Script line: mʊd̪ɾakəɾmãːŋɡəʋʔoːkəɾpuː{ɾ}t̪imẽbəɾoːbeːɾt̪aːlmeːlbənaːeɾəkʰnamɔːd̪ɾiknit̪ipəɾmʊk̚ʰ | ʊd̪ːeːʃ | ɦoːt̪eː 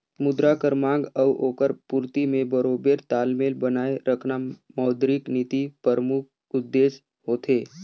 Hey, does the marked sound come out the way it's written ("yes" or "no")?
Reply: yes